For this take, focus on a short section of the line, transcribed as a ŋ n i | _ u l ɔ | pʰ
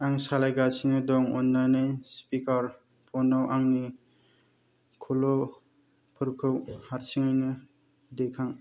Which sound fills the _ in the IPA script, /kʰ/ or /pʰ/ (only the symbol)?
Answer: kʰ